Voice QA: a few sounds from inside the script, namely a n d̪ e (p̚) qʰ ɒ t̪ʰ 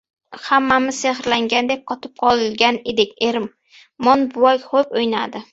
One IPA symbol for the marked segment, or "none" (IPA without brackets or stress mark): p̚